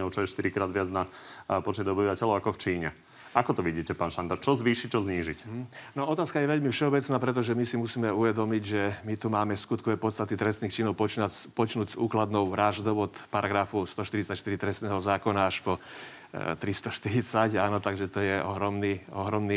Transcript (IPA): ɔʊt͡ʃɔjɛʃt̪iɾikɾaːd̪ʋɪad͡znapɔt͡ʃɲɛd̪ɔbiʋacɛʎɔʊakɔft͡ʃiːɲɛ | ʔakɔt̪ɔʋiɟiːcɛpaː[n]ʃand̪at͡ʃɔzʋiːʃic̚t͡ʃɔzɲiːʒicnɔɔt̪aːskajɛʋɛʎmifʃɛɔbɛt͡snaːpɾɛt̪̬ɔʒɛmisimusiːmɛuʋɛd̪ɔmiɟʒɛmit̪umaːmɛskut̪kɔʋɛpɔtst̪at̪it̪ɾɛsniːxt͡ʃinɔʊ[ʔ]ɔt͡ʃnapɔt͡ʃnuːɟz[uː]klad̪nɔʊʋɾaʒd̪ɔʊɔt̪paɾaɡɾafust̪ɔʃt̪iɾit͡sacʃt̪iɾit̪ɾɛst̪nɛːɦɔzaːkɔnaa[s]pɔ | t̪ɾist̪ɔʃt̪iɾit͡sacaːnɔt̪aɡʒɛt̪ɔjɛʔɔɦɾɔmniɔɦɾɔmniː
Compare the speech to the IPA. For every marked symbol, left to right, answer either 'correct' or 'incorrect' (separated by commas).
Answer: correct, incorrect, correct, incorrect